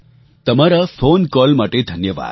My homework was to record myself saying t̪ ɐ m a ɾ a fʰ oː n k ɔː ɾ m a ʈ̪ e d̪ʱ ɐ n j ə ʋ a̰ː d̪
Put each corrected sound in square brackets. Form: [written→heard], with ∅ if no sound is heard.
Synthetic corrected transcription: t̪ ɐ m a ɾ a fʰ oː n k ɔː [ɾ→l] m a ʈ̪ e d̪ʱ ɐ n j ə ʋ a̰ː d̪